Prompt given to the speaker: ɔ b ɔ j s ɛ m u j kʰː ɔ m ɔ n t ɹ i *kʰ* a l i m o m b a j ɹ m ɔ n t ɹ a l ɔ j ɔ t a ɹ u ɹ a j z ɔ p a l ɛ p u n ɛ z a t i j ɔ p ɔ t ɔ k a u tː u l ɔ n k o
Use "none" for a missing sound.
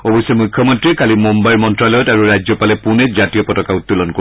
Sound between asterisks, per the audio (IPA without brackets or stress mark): k